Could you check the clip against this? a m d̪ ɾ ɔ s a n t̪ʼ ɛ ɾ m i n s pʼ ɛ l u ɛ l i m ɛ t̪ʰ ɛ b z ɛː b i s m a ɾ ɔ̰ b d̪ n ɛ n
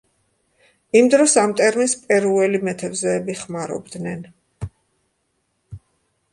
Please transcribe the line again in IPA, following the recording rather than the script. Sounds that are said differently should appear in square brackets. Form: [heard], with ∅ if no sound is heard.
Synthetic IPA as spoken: [i] m d̪ ɾ ɔ s a [m] t̪ʼ ɛ ɾ m i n s pʼ ɛ [ɾ] u ɛ l i m ɛ t̪ʰ ɛ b z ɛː b i [χ] m a ɾ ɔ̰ b d̪ n ɛ n